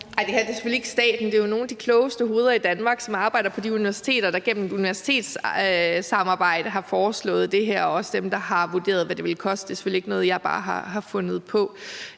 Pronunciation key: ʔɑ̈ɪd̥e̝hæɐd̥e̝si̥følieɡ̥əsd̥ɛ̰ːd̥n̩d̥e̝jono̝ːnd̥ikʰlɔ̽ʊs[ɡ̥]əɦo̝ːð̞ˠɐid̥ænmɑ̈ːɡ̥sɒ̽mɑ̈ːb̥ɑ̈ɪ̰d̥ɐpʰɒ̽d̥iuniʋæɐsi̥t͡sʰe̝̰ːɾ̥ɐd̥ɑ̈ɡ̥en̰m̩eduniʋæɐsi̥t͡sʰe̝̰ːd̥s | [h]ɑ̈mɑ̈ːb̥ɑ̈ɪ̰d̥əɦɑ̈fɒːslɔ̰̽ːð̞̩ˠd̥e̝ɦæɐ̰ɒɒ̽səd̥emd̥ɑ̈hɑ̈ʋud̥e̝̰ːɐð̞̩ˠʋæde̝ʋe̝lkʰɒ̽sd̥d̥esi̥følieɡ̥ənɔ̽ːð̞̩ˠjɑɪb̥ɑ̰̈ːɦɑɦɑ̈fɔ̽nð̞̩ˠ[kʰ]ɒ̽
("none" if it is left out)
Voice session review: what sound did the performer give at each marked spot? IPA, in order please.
d̥, s, pʰ

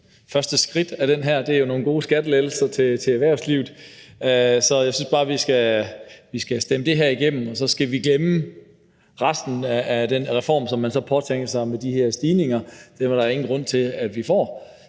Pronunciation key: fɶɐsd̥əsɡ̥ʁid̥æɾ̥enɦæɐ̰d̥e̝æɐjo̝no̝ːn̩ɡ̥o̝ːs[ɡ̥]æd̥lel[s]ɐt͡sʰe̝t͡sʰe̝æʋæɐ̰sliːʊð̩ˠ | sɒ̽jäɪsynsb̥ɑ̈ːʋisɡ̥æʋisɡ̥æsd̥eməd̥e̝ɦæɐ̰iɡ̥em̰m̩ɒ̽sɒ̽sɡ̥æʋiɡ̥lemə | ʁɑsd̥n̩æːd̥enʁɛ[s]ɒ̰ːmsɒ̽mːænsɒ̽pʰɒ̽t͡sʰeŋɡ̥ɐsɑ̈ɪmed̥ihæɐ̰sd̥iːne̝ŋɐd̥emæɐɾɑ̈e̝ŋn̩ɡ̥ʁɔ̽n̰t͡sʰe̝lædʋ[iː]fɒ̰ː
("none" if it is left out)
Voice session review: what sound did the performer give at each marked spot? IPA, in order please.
ɡ̥, s, f, i

